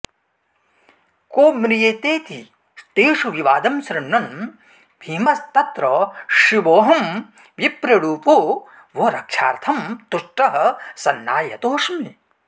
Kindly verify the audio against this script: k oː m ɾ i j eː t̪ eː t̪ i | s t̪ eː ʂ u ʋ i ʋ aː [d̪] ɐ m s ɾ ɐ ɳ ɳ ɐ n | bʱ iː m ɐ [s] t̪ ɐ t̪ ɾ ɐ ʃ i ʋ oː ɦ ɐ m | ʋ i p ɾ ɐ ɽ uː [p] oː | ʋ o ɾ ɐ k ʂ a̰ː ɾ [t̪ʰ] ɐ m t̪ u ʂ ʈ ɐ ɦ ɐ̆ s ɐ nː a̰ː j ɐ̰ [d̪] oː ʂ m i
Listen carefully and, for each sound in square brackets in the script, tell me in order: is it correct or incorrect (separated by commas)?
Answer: correct, correct, correct, correct, incorrect